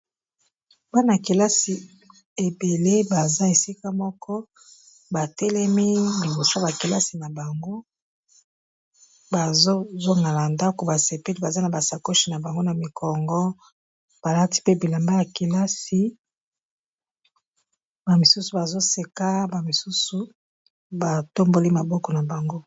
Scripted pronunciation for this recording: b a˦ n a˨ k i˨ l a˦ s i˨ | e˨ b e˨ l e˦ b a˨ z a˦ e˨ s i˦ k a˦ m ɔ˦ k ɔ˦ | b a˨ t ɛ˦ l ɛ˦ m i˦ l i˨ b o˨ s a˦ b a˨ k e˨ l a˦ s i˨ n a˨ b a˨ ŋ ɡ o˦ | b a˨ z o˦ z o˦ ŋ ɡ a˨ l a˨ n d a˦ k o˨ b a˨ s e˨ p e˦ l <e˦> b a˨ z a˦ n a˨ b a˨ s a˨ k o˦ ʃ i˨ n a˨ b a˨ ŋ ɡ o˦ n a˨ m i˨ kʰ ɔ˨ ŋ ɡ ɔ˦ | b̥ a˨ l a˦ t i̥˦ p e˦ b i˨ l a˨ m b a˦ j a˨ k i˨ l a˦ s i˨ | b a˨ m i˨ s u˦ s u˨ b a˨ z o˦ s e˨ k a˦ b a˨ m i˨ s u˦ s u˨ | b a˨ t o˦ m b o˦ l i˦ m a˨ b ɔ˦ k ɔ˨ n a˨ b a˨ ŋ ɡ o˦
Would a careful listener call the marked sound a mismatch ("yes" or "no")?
yes